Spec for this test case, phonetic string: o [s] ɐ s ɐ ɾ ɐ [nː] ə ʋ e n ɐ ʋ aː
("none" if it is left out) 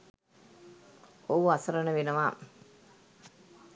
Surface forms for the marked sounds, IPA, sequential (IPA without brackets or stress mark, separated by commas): none, n